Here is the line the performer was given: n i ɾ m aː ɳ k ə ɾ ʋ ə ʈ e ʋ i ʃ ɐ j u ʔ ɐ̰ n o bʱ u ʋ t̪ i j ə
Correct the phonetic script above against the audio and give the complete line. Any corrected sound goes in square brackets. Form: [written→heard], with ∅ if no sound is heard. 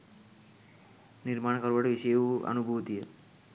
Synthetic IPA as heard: n i ɾ m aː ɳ k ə ɾ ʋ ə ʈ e ʋ i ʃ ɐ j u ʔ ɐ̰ n [o→u] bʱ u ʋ t̪ i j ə